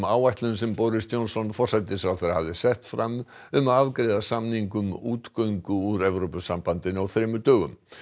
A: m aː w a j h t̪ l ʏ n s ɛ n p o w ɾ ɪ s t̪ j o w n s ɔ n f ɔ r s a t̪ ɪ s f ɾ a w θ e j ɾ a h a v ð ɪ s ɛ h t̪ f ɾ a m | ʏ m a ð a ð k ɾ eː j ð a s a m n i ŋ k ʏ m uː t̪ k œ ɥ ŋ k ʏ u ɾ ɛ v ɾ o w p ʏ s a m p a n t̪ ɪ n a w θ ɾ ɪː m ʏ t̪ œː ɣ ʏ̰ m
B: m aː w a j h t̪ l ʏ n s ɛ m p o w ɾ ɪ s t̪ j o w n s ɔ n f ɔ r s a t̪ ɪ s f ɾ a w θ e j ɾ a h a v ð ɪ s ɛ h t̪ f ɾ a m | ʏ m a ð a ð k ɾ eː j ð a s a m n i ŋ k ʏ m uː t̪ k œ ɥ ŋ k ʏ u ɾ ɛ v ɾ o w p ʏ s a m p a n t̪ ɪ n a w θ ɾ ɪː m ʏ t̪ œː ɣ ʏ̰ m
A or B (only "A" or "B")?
B